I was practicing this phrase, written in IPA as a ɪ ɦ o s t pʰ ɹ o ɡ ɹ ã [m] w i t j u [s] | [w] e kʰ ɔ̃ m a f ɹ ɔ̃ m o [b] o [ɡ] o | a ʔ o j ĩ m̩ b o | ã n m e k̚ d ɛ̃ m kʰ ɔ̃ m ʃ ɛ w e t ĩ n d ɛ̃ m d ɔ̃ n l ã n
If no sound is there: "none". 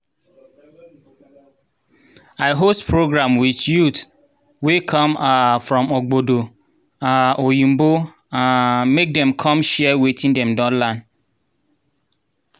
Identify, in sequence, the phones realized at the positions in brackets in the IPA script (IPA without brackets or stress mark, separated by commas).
m, t, w, ɡ͡b, d